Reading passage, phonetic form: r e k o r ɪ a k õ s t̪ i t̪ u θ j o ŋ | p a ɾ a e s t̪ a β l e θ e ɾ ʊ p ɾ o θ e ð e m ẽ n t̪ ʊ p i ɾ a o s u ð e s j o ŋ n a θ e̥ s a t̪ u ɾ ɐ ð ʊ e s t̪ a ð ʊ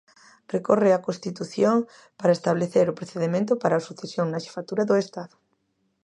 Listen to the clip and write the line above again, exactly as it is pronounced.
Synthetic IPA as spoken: r e k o r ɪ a k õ s t̪ i t̪ u θ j o ŋ | p a ɾ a e s t̪ a β l e θ e ɾ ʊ p ɾ o θ e ð e m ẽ n t̪ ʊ p a ɾ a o s u θ e s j o ŋ n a ʃ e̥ f a t̪ u ɾ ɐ ð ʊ e s t̪ a ð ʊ